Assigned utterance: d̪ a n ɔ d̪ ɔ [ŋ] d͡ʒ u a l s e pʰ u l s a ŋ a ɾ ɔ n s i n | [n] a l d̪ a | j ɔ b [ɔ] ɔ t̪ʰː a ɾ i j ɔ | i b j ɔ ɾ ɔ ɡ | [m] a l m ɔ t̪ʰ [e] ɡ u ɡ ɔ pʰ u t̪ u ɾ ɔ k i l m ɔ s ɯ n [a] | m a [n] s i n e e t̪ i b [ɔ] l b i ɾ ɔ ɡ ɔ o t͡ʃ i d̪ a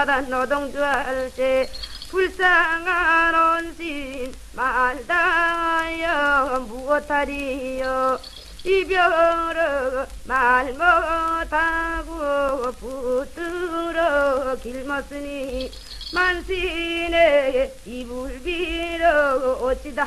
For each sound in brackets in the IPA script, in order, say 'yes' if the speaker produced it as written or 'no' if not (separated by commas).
yes, no, no, yes, no, no, yes, no